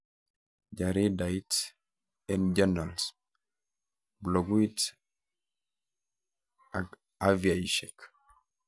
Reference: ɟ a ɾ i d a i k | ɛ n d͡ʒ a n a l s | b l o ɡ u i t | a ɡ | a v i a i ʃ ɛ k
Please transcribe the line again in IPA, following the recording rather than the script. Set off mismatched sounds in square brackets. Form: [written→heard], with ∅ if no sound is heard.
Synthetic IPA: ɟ a ɾ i d a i [k→t] | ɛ n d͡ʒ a n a l s | b l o ɡ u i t | a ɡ | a v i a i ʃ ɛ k